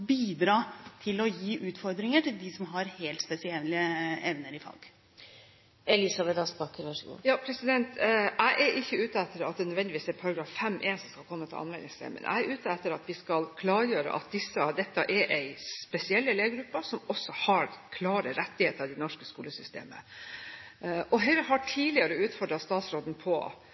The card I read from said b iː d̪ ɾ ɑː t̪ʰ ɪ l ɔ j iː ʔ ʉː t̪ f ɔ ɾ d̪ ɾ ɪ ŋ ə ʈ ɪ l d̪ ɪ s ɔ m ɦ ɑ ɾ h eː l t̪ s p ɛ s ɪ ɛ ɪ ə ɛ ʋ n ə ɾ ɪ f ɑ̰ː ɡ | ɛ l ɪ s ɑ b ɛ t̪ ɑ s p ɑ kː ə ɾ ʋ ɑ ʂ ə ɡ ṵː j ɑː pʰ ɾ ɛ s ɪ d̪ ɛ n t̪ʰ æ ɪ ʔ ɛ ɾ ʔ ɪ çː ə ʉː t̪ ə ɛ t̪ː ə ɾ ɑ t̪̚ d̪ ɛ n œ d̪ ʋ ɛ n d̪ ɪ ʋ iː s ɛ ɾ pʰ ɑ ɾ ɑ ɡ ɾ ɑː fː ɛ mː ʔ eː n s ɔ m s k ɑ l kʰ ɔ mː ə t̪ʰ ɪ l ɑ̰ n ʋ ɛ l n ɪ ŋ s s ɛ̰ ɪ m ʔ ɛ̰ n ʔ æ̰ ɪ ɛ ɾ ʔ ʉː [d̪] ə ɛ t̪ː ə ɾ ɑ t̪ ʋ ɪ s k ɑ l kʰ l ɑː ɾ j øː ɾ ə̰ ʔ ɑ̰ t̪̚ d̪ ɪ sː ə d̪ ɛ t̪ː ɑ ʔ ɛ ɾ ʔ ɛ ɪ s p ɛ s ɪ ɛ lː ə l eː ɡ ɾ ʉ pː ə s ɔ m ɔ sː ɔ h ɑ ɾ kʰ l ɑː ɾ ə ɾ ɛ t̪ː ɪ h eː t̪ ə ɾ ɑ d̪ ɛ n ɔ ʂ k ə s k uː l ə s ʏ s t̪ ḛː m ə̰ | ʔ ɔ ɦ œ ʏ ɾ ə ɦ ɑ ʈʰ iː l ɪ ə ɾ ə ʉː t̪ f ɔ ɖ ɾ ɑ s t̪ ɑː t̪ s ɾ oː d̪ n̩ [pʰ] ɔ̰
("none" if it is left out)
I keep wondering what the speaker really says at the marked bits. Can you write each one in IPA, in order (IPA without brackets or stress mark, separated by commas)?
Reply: t̪, pʰ